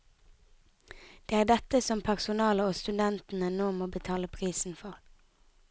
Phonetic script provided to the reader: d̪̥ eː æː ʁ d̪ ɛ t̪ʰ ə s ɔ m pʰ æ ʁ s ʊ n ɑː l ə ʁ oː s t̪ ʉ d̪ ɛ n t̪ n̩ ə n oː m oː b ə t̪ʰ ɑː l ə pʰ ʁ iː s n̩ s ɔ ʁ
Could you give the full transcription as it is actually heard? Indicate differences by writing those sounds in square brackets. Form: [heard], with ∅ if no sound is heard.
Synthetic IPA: d̪̥ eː æː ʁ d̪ ɛ [t̪] ə s ɔ m pʰ æ ʁ s ʊ n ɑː l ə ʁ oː s t̪ ʉ d̪ ɛ n t̪ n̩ ə n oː m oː b ə t̪ʰ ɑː l ə pʰ ʁ iː s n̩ [f] ɔ ʁ